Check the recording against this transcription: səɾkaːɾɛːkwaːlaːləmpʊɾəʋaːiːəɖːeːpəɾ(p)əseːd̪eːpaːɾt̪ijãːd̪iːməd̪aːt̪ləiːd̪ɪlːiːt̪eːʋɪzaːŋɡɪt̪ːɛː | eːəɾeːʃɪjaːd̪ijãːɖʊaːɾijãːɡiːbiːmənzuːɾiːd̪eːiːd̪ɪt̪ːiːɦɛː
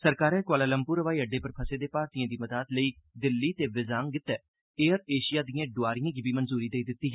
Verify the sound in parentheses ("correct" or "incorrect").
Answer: incorrect